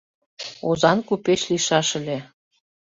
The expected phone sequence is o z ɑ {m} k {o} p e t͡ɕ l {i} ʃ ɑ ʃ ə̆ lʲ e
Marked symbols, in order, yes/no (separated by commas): no, no, yes